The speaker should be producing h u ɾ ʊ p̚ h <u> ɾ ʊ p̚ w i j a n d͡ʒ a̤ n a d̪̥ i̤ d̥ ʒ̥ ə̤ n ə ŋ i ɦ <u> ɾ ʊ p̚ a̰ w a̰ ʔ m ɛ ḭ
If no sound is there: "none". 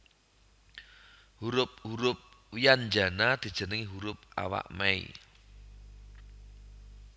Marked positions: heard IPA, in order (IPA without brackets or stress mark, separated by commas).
u, u